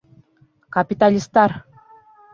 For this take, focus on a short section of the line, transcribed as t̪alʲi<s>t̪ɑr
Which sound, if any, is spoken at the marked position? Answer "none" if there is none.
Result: s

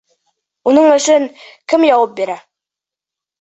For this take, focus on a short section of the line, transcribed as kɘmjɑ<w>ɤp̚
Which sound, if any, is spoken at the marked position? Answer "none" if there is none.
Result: w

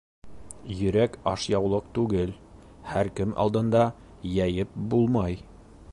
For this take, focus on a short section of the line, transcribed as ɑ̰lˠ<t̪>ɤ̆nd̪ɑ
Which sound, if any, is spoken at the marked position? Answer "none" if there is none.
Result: d̪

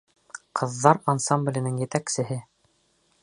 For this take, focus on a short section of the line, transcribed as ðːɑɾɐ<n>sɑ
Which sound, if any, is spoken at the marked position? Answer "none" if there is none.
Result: n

